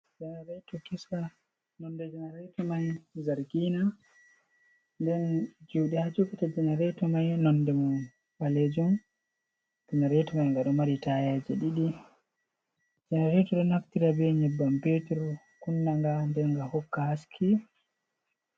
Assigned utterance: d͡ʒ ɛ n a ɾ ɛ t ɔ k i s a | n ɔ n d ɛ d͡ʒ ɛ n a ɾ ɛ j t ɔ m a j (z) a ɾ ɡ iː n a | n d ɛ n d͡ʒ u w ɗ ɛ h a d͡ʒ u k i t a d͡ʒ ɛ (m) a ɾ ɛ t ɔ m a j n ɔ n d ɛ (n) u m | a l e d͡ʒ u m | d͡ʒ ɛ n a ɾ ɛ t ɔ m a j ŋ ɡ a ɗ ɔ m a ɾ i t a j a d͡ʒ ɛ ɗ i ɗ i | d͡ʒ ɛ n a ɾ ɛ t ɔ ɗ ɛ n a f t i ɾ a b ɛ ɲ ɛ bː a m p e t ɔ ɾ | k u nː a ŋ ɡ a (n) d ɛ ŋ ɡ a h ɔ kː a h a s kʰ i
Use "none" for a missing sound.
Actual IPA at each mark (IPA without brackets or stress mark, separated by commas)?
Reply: z, n, m, n